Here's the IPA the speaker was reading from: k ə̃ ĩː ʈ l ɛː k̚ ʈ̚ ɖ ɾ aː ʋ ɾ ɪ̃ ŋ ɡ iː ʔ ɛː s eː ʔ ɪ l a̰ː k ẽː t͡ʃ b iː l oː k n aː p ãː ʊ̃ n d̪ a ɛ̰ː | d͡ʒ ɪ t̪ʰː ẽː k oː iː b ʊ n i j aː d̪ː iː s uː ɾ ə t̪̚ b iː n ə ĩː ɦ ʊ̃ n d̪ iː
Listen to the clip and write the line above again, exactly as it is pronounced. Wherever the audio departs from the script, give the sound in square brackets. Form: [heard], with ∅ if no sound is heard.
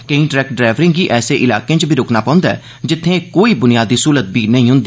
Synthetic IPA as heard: k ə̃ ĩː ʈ [ɾ] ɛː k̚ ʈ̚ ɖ ɾ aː ʋ ɾ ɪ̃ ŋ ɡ iː ʔ ɛː s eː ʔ ɪ l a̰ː k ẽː t͡ʃ b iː [ɾ] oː k n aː p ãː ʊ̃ n d̪ a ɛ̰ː | d͡ʒ ɪ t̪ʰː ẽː k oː iː b ʊ n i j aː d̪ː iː s uː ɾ ə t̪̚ b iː n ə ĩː ɦ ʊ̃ n d̪ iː